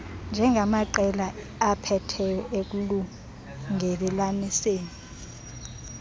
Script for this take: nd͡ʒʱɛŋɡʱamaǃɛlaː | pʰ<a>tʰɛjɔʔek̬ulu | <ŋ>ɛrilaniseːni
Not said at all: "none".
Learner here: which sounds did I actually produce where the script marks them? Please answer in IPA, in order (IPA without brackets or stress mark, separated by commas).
ɛ, ŋ